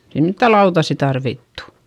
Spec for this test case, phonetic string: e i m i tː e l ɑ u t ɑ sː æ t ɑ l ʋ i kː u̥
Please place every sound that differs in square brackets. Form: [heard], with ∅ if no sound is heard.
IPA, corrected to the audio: e i m i tː [æ] l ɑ u t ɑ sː [i] t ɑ [r] ʋ i [tː] u̥